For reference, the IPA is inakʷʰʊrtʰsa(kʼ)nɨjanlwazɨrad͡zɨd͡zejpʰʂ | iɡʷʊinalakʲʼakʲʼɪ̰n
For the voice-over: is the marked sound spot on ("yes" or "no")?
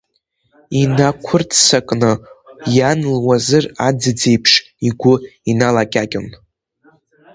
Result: yes